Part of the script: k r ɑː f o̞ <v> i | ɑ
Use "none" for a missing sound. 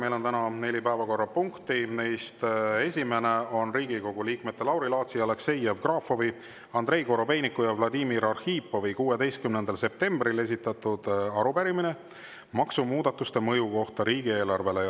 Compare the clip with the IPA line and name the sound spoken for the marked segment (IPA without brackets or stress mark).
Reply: v